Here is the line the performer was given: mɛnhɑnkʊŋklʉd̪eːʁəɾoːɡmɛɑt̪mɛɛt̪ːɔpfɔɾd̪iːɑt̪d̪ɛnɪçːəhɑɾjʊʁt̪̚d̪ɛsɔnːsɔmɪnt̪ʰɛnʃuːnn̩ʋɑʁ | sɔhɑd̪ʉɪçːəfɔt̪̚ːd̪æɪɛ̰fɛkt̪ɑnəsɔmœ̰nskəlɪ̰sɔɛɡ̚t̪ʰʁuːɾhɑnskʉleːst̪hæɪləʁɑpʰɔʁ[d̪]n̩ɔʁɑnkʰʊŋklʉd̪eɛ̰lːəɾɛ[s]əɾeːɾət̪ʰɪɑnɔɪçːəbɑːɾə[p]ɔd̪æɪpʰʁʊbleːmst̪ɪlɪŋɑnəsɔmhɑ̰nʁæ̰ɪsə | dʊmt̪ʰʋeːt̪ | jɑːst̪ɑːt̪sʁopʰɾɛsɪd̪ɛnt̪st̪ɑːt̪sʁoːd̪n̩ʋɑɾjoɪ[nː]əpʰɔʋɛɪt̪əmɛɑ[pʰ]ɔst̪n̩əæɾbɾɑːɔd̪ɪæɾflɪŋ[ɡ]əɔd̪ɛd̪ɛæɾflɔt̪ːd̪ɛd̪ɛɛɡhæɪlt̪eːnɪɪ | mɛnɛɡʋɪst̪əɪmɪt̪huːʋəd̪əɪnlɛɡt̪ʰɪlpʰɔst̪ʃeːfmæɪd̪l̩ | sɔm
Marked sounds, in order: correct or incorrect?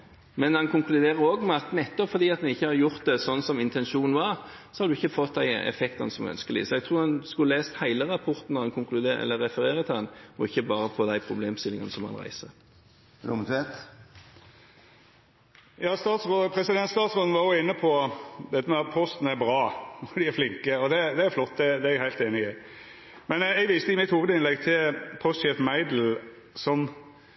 incorrect: t̪, incorrect: f, incorrect: pʰ, correct, correct, incorrect: k

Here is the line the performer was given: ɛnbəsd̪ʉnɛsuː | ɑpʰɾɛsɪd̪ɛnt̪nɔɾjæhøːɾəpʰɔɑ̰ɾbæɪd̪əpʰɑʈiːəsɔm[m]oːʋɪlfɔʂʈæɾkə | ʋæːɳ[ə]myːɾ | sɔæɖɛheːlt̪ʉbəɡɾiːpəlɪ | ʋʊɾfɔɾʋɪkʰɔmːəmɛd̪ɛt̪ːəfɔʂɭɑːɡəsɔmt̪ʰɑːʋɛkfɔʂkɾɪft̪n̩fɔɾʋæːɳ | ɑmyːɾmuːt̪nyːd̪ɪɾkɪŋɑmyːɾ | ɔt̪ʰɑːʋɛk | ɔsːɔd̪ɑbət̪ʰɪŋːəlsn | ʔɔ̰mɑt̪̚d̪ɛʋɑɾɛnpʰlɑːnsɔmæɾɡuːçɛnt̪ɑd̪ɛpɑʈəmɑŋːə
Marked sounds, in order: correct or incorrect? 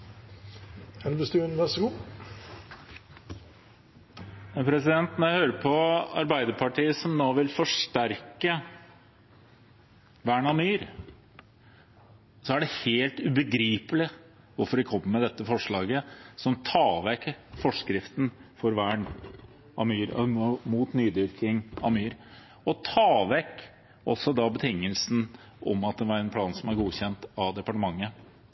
incorrect: n, incorrect: ɑ

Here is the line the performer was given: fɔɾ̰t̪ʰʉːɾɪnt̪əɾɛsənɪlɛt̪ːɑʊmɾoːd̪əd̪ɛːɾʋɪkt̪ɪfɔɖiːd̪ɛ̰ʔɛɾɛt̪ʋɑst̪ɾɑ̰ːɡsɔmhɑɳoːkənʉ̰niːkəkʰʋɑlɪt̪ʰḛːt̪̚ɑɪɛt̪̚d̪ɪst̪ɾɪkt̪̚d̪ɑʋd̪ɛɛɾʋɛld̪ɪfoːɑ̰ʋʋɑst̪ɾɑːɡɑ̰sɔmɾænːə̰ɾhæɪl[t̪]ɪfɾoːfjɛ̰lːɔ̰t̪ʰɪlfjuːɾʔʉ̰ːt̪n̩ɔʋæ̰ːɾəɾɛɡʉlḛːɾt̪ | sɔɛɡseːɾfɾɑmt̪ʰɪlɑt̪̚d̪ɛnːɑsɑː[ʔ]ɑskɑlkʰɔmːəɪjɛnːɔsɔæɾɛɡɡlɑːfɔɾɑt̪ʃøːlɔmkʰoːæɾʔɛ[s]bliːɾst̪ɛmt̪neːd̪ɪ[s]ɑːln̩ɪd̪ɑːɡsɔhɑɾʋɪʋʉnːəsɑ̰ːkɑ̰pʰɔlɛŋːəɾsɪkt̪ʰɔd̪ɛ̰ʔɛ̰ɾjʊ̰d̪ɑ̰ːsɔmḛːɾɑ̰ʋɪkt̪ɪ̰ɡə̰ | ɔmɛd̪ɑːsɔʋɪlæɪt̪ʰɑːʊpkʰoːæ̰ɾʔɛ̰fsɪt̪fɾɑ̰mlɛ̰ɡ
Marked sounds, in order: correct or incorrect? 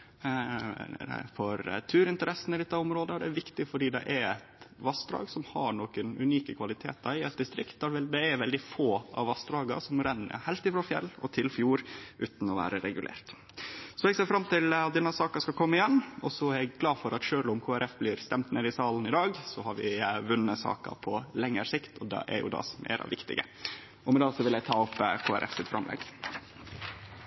correct, incorrect: k, incorrect: f, correct

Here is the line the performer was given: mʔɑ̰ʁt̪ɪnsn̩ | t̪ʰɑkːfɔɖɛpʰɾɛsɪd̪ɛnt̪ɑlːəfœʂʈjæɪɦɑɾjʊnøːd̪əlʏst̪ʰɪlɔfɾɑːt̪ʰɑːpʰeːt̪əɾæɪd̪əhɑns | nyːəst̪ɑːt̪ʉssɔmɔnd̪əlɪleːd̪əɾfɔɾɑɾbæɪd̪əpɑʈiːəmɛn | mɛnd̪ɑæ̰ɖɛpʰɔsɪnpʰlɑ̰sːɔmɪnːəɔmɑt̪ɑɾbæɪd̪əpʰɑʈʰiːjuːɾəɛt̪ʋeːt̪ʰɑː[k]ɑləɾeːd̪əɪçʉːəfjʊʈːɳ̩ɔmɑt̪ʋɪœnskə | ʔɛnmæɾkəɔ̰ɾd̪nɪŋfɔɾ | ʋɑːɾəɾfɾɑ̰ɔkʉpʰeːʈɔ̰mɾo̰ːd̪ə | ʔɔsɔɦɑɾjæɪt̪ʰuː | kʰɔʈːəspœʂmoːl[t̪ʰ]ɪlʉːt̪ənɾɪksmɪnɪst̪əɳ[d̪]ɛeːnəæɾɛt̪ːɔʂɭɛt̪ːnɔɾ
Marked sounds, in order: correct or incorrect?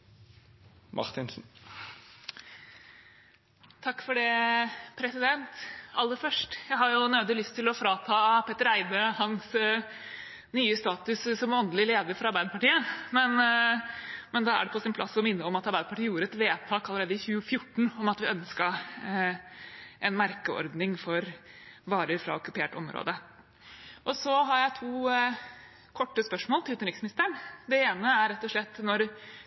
correct, incorrect: t̪, correct

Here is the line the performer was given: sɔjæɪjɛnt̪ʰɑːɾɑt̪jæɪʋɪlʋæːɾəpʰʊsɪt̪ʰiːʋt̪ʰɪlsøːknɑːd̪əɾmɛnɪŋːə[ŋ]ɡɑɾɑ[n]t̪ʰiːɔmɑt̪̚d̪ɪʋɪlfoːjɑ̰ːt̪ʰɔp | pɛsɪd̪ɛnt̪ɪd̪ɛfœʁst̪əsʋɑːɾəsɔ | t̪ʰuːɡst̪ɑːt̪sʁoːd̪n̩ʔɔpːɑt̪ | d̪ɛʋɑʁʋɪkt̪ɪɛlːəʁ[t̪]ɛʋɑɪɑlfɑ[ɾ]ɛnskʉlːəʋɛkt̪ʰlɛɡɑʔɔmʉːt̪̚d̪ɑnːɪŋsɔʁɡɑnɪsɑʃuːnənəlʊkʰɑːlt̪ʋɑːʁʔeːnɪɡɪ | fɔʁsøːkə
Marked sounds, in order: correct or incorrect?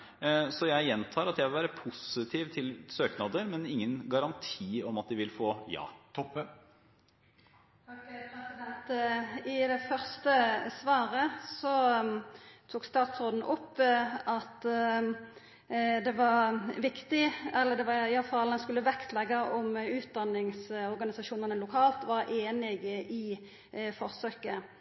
incorrect: n, correct, incorrect: d̪, incorrect: l

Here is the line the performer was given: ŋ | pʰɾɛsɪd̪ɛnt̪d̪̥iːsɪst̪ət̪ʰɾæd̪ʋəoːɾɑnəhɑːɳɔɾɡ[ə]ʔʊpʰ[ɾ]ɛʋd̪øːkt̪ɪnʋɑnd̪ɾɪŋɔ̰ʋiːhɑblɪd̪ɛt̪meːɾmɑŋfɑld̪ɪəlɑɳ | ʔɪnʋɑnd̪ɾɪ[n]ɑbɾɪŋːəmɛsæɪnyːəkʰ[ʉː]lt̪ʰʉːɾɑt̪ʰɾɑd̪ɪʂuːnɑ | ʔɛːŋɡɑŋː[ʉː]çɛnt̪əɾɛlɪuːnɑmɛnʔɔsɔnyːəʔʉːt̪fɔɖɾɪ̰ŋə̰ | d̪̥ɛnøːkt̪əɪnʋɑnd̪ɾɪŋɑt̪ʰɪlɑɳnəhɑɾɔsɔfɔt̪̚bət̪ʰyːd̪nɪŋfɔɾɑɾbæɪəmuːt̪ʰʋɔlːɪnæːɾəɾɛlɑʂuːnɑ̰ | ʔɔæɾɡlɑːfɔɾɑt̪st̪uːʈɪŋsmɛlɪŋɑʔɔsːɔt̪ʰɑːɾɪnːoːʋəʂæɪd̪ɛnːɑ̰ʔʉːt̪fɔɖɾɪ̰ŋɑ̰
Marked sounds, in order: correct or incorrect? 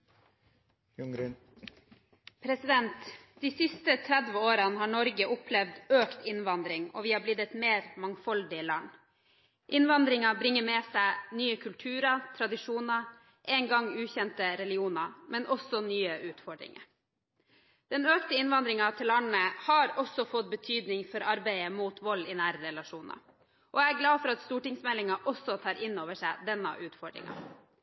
correct, incorrect: l, incorrect: ŋ, incorrect: ʉ, correct

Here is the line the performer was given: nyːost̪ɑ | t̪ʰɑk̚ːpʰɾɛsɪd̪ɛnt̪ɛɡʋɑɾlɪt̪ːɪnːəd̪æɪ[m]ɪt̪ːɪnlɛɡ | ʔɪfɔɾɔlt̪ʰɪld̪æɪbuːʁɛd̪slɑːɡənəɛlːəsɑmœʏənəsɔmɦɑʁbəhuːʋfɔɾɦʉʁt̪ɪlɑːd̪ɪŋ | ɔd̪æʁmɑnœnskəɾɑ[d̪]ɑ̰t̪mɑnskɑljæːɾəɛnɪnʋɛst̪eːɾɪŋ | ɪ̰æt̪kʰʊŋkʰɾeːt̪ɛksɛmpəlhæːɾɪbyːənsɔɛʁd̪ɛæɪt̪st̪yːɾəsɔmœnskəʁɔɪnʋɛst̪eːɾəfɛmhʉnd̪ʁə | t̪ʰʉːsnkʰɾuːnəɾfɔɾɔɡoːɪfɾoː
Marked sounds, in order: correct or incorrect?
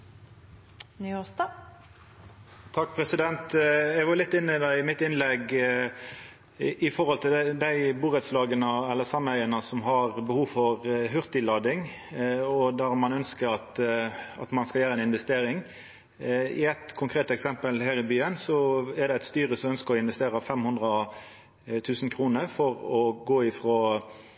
correct, incorrect: t̪

